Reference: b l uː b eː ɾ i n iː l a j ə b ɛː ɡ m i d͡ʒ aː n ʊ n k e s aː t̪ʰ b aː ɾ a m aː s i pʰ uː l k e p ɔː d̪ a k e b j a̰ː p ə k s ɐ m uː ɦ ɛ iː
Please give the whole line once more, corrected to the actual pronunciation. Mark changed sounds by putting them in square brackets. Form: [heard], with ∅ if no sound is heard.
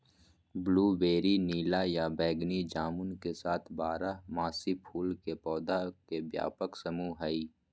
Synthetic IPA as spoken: b l uː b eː ɾ i n iː l a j [a] b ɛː ɡ [n] i d͡ʒ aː [m] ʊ n k e s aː t̪ʰ b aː ɾ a m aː s i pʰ uː l k e p ɔː d̪ a k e b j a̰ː p ə k s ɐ m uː ɦ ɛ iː

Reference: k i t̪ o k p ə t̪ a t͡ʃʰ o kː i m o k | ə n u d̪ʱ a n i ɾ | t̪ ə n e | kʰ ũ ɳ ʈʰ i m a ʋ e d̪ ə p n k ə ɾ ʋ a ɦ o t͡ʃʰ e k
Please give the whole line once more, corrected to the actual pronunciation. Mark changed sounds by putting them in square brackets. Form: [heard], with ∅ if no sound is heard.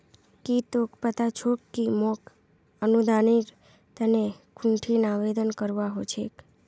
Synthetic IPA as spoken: k i t̪ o k p ə t̪ a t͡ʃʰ o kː i m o k | ə n u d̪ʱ a n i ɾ | t̪ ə n e | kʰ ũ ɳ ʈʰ i [n] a ʋ e d̪ ə [∅] n k ə ɾ ʋ a ɦ o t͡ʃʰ e k

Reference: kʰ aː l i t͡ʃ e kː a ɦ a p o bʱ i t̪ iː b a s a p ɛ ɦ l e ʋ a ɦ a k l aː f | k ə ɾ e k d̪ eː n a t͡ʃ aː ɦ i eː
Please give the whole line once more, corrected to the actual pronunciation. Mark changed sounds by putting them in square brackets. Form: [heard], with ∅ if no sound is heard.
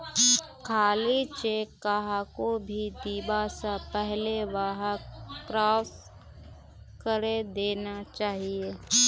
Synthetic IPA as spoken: kʰ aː l i t͡ʃ e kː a ɦ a [k] o bʱ i [d̪] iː b a s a p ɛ ɦ l e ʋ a ɦ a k [ɾ] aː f | k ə ɾ e [∅] d̪ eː n a t͡ʃ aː ɦ i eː

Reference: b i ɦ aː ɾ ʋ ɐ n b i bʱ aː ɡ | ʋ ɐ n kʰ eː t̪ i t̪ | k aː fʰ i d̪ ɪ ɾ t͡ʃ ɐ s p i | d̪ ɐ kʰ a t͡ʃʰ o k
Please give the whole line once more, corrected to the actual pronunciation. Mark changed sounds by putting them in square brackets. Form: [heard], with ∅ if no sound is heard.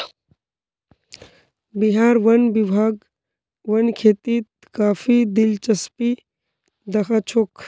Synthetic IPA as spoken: b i ɦ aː ɾ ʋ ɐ n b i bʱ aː ɡ | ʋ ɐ n kʰ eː t̪ i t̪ | k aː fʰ i d̪ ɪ [l] t͡ʃ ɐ s p i | d̪ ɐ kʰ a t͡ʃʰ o k

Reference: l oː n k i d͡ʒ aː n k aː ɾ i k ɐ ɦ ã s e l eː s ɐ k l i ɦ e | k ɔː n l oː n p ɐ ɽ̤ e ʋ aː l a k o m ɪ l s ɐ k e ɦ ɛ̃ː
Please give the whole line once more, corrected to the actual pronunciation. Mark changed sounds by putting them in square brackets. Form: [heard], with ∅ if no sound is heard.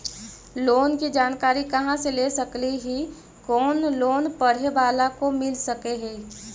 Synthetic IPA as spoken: l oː n k i d͡ʒ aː n k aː ɾ i k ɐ ɦ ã s e l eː s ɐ k l i ɦ [i] | k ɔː n l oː n p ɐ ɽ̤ e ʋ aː l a k o m ɪ l s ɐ k e ɦ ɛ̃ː

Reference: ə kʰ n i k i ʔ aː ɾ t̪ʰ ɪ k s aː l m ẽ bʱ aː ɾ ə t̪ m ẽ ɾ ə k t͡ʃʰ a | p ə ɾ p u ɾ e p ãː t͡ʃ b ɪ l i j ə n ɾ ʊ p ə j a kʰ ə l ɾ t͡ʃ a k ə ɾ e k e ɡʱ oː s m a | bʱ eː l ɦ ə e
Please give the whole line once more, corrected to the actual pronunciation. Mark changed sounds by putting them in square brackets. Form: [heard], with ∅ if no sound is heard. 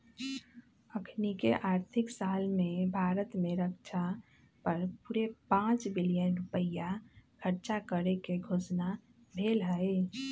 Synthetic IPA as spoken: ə kʰ n i k [e] ʔ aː ɾ t̪ʰ ɪ k s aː l m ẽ bʱ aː ɾ ə t̪ m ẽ ɾ ə k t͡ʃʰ a | p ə ɾ p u ɾ e p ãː t͡ʃ b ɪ l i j ə n ɾ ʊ p ə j a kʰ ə [∅] ɾ t͡ʃ a k ə ɾ e k e ɡʱ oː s [n] a | bʱ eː l ɦ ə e

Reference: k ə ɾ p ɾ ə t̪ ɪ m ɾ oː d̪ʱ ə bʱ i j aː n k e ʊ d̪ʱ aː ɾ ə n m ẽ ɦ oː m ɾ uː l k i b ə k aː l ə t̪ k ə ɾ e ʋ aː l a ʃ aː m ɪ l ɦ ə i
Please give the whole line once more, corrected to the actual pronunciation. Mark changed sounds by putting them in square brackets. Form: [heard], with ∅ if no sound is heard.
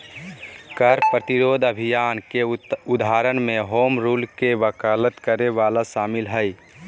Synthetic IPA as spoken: k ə ɾ p ɾ ə t̪ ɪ [∅] ɾ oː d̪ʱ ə bʱ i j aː n k e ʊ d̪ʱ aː ɾ ə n m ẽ ɦ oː m ɾ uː l k [e] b ə k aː l ə t̪ k ə ɾ e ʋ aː l a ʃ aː m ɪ l ɦ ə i

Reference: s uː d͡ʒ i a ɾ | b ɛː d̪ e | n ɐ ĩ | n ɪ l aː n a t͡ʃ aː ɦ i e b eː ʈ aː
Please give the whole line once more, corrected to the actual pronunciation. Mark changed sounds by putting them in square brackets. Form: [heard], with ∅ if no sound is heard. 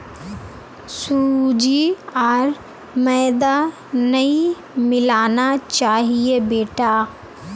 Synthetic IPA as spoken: s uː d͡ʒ i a ɾ | [m] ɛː d̪ [a] | n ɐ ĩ | [m] ɪ l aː n a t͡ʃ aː ɦ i e b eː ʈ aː

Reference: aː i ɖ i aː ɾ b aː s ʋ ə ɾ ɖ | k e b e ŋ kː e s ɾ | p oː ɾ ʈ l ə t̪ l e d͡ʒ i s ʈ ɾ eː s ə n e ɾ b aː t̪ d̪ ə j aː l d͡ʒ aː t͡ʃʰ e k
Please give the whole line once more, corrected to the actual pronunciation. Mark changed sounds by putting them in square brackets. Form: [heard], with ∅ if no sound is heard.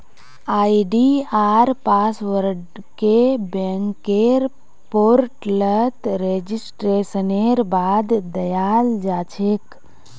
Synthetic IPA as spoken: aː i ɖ i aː ɾ [p] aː s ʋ ə ɾ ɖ | k e b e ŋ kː e [∅] ɾ | p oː ɾ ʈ l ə t̪ [ɾ] e d͡ʒ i s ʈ ɾ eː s ə n e ɾ b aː [d̪] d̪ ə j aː l d͡ʒ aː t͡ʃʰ e k

